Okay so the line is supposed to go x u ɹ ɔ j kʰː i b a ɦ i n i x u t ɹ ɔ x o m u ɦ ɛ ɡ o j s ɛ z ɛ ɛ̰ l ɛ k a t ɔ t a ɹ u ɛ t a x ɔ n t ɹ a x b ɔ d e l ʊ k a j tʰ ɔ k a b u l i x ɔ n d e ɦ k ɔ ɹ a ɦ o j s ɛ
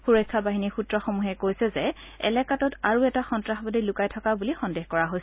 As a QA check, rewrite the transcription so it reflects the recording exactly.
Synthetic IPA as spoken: x u ɹ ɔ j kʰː a b a ɦ i n i x u t ɹ ɔ x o m u ɦ ɛ k o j s ɛ z ɛ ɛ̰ l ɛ k a t ɔ t a ɹ u ɛ t a x ɔ n t ɹ a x b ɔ d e l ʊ k a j tʰ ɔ k a b u l i x ɔ n d e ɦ k ɔ ɹ a ɦ o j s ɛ